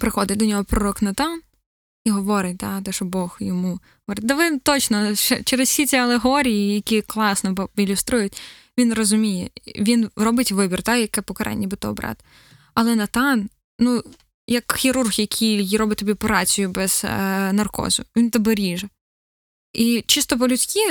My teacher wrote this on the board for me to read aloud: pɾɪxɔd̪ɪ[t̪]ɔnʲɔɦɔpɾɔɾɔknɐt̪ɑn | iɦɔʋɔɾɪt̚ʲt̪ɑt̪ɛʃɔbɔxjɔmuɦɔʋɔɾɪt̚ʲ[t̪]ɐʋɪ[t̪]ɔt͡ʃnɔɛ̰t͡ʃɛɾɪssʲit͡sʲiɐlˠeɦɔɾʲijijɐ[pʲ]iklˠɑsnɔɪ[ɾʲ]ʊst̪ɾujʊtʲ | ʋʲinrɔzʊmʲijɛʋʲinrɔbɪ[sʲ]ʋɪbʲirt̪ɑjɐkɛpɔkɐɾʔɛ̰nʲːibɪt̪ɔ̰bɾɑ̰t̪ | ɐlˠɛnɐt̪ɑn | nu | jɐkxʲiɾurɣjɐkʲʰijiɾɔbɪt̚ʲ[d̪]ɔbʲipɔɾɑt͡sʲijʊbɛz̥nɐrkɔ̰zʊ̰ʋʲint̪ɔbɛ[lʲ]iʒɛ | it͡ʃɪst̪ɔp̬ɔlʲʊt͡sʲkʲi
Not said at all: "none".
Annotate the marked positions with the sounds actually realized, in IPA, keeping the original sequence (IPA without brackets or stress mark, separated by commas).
d̪, d̪, t̪, kʲ, lʲ, tʲ, t̪, ɾʲ